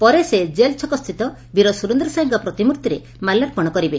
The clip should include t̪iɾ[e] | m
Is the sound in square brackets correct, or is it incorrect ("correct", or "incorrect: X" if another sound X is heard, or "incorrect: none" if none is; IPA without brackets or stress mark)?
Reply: correct